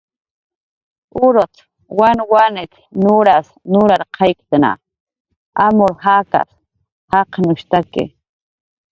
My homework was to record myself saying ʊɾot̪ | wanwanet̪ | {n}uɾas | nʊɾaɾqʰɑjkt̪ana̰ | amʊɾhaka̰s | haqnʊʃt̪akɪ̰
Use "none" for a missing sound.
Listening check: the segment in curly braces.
n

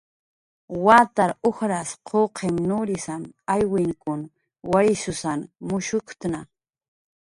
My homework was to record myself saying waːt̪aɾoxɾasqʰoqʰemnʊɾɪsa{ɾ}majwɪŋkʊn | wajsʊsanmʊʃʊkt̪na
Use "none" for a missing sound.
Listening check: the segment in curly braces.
none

